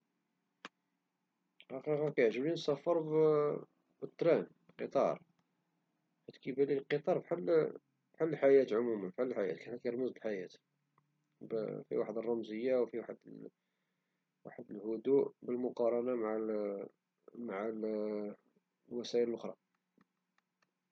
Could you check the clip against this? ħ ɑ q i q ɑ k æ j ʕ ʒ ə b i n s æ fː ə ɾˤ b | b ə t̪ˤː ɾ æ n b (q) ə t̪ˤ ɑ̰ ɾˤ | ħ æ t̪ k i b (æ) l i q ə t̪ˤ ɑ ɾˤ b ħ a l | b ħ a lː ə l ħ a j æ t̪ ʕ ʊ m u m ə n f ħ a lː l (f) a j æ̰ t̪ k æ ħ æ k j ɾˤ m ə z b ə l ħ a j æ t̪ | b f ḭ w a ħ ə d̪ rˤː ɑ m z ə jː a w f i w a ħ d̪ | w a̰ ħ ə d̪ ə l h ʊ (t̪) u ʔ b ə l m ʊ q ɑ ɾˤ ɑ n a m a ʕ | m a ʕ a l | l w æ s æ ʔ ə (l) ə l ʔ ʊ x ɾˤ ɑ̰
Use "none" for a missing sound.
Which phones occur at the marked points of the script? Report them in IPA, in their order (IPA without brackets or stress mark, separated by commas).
q, æ, ħ, d̪, l